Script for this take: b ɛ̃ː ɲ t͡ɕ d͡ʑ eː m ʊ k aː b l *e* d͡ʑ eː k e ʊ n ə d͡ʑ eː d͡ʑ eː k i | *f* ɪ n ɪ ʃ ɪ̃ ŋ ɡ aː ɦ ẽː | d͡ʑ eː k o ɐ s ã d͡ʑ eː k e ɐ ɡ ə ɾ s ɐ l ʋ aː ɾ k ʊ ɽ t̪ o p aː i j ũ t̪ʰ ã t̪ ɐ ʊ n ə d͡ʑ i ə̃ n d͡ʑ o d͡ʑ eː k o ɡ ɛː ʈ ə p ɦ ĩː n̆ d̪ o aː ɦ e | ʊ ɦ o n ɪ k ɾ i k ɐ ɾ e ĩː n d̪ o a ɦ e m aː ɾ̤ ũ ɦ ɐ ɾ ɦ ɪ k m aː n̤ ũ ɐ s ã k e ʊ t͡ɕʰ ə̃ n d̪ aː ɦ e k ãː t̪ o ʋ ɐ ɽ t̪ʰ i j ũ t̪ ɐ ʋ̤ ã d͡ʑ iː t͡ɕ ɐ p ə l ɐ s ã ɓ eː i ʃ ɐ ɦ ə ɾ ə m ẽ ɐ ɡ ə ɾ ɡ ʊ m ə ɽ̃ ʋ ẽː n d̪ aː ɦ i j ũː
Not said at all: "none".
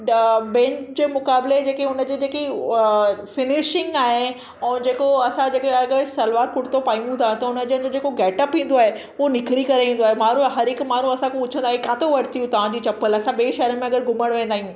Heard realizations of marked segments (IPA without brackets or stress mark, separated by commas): e, f